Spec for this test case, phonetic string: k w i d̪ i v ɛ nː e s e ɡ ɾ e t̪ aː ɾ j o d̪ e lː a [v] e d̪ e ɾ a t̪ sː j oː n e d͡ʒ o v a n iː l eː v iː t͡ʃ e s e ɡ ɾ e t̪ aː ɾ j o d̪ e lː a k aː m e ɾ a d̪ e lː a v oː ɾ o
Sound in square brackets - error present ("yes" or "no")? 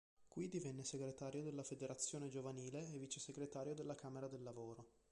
yes